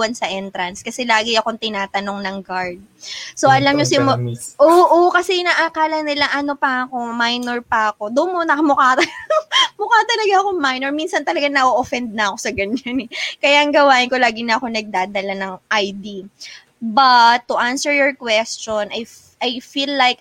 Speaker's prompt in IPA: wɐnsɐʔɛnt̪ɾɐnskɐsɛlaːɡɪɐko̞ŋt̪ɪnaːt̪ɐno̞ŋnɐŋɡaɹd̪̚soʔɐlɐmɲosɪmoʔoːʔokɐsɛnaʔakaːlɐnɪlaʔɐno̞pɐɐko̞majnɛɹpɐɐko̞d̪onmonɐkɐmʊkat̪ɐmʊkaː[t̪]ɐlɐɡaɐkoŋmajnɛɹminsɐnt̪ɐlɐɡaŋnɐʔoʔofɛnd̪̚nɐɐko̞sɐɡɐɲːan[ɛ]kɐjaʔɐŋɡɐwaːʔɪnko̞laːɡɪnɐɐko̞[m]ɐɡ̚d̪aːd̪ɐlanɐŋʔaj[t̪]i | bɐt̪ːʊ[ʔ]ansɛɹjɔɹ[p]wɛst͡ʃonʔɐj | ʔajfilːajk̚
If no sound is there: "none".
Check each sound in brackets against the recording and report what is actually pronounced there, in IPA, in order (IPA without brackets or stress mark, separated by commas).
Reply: t̪, ɛ, n, d̪, ʔ, k